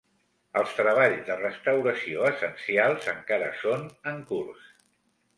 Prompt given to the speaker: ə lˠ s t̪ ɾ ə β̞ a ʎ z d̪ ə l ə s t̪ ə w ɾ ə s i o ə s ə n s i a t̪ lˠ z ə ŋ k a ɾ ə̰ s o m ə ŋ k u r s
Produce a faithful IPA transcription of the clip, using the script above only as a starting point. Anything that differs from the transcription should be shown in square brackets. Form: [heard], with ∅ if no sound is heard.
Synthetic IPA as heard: ə lˠ s t̪ ɾ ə β̞ a ʎ z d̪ ə [r] ə s t̪ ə w ɾ ə s i o ə s ə n s i a [∅] lˠ z ə ŋ k a ɾ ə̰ s o [n] ə ŋ k u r s